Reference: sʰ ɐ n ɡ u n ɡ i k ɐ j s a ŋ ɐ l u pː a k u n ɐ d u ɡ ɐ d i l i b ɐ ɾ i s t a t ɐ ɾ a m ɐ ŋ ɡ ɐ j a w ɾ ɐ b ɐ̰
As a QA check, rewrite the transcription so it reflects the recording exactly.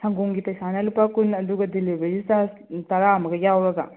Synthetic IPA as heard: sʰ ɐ ŋ ɡ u ŋ ɡ i p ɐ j s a n ɐ l u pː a k u n ɐ d u ɡ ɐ d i l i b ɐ ɾ i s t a t ɐ ɾ a m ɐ ɡ ɐ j a w ɾ ɐ ɡ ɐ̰